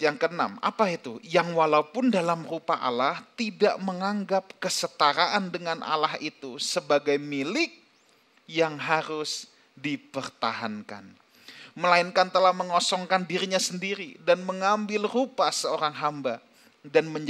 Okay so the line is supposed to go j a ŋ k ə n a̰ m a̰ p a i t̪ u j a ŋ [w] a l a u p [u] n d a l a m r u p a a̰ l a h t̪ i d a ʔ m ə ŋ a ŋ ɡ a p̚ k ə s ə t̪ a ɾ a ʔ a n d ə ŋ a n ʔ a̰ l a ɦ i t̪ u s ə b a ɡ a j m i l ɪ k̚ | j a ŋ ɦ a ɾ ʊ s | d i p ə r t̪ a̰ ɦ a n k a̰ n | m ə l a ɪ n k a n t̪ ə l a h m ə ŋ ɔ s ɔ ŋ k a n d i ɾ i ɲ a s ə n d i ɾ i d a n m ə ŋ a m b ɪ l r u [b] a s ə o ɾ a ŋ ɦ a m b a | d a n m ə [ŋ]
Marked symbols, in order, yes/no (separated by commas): yes, no, no, no